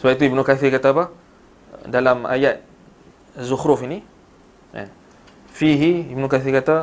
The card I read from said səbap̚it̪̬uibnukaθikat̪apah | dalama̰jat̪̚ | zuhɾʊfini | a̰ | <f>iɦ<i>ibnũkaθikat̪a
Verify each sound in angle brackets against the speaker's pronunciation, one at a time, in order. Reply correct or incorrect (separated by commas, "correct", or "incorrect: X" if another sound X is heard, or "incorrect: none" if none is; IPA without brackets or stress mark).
correct, correct